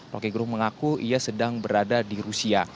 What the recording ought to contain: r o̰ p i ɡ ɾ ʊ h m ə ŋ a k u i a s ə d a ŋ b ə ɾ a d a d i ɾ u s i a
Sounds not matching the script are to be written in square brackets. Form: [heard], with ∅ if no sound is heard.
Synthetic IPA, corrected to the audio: r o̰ [k] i ɡ ɾ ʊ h m ə ŋ a k u i a s ə d a ŋ b ə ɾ a d a d i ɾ u s i a